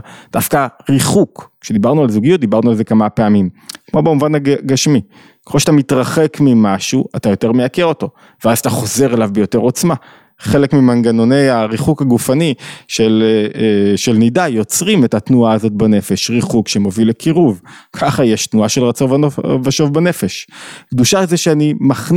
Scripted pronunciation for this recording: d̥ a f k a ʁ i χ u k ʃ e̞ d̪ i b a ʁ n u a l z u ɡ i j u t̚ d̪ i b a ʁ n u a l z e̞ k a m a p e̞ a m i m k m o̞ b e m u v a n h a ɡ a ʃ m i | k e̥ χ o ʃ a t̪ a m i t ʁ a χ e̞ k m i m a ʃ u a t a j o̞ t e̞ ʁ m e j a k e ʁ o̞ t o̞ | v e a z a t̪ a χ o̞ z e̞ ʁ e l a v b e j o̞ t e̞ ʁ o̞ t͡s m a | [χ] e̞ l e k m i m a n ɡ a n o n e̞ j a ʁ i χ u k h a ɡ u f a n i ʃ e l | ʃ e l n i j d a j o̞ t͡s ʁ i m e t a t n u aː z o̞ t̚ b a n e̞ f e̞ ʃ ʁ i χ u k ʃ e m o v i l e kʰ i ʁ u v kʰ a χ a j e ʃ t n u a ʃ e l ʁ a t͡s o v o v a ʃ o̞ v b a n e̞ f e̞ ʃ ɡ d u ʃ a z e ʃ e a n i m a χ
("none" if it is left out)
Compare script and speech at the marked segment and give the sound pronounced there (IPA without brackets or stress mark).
χ